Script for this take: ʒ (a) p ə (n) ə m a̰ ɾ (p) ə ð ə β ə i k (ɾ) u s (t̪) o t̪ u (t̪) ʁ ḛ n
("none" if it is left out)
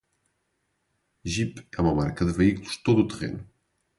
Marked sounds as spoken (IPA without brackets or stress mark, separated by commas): i, m, k, l, t̪, t̪